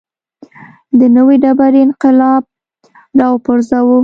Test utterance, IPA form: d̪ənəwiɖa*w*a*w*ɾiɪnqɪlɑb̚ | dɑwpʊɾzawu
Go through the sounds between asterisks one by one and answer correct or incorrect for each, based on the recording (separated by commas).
incorrect, incorrect